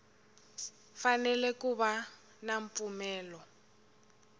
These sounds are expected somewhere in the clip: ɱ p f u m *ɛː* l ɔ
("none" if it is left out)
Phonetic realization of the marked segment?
ɛː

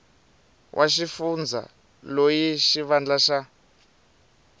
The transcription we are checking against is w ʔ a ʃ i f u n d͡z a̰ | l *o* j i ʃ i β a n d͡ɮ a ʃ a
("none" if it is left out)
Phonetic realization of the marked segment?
o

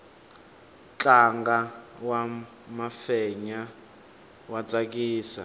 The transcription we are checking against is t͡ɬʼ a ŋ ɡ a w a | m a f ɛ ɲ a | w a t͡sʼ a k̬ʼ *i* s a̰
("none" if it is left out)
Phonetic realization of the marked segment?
iː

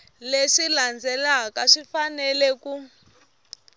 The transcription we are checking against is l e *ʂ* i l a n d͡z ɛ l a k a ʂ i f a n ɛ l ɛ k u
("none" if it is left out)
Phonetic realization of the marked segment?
ʂ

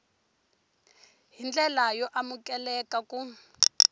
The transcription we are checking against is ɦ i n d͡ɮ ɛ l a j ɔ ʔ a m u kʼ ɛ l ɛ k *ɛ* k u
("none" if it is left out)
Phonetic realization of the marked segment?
a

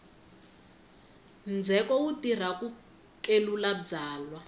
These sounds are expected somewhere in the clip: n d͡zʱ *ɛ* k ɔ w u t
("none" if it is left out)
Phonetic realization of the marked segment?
ɛ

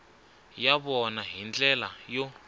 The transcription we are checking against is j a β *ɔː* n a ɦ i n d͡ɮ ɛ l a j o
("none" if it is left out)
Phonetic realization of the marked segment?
ɔ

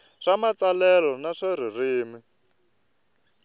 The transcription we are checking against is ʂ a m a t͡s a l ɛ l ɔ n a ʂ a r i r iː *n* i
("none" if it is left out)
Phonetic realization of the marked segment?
m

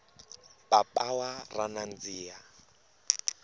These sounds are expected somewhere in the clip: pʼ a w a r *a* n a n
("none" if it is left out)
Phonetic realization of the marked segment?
a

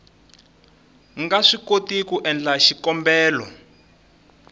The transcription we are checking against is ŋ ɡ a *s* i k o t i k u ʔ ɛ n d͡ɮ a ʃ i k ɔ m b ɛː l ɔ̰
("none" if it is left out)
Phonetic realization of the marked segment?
ʂ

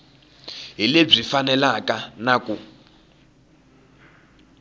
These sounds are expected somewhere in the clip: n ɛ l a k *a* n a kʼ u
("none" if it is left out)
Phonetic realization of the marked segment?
a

